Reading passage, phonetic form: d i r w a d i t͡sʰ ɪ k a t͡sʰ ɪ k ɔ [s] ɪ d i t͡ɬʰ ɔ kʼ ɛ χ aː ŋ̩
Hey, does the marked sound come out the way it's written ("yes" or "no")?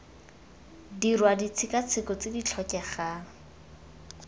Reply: no